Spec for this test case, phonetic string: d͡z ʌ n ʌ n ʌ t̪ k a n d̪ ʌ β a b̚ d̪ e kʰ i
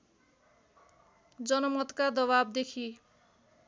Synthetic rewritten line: d͡z ʌ n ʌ m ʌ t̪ k a d̪ ʌ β a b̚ d̪ e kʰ i